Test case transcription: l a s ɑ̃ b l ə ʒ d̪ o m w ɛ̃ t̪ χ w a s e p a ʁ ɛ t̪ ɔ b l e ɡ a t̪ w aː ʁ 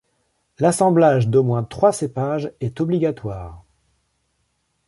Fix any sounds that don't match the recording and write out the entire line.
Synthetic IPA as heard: l a s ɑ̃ b l a ʒ d̪ o m w ɛ̃ t̪ χ w a s e p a ʒ ɛ t̪ ɔ b l i ɡ a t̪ w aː ʁ